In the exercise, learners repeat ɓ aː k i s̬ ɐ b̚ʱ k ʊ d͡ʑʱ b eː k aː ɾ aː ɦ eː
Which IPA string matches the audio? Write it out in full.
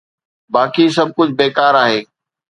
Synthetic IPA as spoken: b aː k i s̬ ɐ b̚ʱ k ʊ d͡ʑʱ b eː k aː ɾ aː ɦ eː